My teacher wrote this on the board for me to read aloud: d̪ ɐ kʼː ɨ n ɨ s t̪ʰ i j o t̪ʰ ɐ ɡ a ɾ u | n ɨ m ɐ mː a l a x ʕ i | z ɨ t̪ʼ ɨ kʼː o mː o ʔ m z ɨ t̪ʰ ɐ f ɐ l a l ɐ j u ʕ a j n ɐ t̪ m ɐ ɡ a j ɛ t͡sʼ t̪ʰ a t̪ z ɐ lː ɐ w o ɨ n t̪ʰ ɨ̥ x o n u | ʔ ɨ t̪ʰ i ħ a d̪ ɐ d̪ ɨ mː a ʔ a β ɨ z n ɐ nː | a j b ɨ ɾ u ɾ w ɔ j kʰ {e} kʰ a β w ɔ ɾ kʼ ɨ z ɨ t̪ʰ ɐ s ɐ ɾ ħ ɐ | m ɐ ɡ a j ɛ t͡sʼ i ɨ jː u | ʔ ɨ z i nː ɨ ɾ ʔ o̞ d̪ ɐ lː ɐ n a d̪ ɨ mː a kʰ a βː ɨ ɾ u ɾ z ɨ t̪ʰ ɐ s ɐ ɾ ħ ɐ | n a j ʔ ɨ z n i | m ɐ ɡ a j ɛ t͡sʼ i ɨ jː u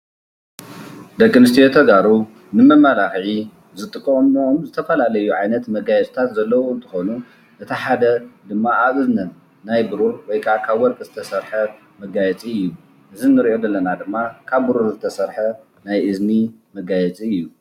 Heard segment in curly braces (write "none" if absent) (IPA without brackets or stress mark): a